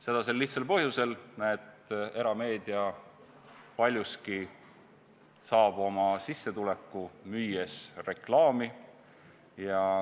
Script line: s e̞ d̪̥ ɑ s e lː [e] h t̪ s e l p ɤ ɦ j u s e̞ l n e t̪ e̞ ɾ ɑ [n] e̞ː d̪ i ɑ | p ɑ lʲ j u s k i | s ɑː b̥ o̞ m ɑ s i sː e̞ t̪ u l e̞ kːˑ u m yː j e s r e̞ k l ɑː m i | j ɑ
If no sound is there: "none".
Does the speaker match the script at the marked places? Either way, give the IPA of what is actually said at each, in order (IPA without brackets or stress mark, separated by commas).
i, m